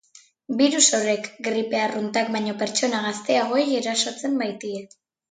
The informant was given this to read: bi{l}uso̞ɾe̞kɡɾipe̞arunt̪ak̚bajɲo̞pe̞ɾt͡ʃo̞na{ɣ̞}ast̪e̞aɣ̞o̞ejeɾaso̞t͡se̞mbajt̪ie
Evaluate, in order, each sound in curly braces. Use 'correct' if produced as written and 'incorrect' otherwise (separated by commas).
incorrect, correct